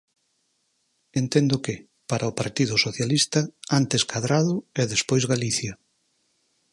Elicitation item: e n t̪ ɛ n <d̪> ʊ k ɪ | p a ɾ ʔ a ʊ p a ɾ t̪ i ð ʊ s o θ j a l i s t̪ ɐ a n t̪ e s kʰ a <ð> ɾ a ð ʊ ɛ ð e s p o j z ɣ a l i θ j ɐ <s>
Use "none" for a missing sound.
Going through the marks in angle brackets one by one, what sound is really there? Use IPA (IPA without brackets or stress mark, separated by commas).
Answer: d̪, ð, none